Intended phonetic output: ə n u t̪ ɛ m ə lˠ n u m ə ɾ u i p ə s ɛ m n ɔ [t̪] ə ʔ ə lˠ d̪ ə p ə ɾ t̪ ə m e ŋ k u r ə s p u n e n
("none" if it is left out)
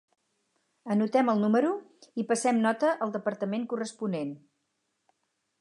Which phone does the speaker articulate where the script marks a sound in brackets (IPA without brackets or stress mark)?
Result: t̪